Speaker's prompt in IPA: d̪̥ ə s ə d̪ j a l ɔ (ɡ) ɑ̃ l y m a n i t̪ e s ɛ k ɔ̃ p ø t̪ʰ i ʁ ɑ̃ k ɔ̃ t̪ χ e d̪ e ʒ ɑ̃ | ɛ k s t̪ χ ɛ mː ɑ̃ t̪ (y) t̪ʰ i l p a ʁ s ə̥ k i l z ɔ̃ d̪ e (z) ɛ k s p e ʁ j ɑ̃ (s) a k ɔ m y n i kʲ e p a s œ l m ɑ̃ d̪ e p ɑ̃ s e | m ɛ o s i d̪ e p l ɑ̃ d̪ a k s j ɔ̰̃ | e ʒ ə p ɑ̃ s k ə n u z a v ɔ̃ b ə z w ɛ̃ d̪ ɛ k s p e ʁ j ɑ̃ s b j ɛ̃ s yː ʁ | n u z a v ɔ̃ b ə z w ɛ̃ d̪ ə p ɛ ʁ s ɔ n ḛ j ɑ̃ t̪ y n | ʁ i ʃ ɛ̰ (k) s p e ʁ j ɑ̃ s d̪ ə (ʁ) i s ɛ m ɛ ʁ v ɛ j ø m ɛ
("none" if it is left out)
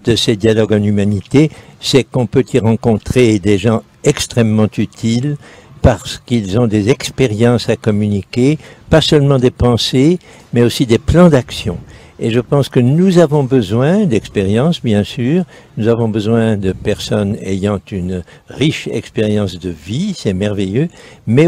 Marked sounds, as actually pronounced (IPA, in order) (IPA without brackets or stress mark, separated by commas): ɡ, y, z, s, k, v